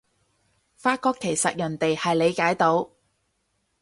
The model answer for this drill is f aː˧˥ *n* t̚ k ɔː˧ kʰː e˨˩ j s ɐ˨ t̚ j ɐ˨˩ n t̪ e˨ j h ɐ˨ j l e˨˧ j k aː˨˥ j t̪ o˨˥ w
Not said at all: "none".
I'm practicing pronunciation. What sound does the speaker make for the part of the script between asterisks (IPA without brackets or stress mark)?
none